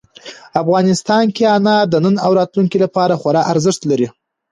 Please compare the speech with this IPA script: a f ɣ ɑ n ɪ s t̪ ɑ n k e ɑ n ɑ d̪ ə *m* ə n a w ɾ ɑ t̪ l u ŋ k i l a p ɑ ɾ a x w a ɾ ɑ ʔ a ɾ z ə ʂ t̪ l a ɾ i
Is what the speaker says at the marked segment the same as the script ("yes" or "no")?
no